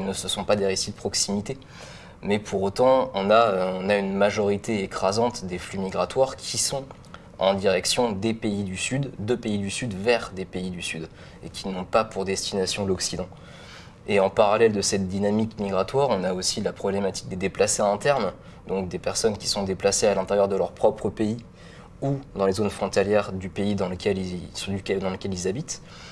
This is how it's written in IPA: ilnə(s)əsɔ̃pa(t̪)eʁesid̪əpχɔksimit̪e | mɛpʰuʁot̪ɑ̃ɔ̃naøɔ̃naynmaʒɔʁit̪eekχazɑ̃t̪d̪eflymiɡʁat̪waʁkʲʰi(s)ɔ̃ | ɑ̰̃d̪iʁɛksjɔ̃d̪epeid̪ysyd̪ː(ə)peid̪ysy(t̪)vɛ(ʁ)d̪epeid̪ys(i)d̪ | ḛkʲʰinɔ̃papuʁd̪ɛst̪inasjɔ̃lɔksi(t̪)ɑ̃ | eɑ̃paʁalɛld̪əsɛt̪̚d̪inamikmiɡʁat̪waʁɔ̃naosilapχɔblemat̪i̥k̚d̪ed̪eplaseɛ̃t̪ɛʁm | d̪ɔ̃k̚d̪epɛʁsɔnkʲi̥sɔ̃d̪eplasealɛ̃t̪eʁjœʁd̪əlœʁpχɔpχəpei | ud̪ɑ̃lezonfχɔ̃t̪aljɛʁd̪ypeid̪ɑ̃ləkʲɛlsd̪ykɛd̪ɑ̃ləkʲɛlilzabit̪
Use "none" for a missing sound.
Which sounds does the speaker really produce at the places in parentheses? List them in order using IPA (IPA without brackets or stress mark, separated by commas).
s, d̪, s, ə, d̪, ʁ, y, d̪